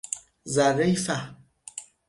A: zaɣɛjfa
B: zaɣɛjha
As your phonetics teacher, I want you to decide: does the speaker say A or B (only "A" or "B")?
A